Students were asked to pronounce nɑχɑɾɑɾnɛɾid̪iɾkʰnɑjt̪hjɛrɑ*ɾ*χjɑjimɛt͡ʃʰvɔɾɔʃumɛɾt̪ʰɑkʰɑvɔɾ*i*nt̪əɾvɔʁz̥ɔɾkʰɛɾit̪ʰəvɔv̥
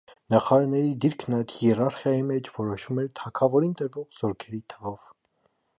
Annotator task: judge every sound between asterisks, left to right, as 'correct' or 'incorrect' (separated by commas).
correct, correct